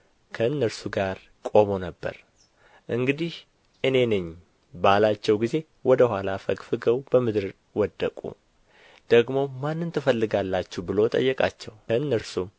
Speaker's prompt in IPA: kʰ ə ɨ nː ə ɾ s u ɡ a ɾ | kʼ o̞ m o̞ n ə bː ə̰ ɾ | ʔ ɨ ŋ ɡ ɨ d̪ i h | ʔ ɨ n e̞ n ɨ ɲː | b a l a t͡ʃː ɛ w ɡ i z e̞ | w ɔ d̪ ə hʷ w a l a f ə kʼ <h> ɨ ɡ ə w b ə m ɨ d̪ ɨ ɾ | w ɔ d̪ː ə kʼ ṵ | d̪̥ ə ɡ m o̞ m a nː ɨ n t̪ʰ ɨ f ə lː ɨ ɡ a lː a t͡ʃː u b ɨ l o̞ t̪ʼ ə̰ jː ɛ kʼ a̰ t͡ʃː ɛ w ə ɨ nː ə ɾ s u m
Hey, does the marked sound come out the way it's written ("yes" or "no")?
no